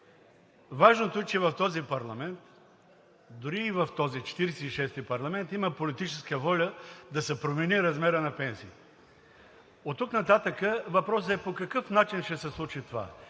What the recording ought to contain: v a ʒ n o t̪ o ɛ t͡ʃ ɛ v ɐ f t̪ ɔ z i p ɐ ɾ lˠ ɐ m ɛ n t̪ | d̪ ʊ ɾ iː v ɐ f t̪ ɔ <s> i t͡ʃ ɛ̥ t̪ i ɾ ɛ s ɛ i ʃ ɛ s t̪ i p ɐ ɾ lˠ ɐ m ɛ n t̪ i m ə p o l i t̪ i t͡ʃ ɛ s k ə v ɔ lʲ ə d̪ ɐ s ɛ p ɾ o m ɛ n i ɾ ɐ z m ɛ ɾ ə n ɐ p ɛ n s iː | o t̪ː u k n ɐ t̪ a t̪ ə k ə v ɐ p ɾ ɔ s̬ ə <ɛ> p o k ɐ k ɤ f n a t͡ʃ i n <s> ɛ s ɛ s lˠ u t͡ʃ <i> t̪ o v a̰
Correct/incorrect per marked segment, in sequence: incorrect: z, correct, incorrect: ʃ, correct

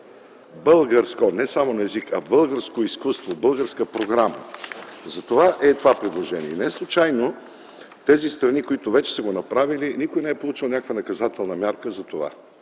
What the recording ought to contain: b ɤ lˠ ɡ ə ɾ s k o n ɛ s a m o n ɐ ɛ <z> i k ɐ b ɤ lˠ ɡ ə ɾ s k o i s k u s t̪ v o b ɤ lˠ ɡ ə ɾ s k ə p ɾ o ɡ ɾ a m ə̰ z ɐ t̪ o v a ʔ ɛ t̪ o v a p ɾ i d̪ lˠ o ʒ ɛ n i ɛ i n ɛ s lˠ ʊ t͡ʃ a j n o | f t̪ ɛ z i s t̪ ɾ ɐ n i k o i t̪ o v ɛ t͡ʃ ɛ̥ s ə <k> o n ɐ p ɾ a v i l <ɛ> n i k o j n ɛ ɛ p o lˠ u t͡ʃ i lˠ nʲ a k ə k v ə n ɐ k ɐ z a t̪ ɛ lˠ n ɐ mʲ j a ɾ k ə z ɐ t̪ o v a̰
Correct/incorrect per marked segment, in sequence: correct, incorrect: ɡ, incorrect: i

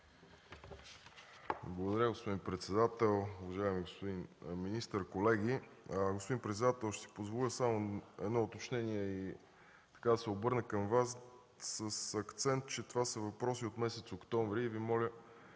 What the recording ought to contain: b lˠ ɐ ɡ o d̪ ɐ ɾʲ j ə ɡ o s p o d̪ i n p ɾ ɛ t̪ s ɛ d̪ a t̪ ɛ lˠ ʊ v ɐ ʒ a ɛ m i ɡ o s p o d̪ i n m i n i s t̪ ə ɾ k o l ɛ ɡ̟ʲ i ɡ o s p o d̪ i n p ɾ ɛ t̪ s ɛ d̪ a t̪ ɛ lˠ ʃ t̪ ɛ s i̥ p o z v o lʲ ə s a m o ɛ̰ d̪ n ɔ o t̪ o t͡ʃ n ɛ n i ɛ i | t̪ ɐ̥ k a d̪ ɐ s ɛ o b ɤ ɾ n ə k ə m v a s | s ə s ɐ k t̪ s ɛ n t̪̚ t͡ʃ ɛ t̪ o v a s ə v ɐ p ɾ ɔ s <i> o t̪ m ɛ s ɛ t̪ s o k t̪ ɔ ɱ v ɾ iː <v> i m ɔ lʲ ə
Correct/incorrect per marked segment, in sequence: correct, correct

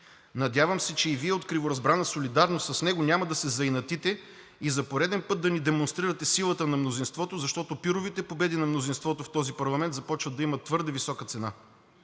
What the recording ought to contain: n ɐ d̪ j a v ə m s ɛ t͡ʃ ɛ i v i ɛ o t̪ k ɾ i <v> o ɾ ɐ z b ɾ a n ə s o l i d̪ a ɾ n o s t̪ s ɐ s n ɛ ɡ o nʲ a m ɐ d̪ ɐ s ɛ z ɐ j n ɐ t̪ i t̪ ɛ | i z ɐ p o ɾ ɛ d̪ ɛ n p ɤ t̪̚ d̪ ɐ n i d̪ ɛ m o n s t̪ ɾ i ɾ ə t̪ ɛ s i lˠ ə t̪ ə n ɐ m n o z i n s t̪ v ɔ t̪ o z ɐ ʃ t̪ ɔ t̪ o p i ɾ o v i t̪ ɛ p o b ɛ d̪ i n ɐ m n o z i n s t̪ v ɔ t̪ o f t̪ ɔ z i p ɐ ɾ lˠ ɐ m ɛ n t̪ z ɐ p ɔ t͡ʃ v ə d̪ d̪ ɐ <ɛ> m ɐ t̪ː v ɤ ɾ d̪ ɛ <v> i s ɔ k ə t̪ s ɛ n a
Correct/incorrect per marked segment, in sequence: correct, incorrect: i, correct

